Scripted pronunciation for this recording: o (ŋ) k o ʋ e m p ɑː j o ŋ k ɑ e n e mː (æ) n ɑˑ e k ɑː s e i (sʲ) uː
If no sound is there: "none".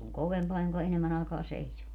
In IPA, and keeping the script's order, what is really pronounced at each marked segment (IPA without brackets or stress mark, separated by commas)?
ŋ, æ, sʲ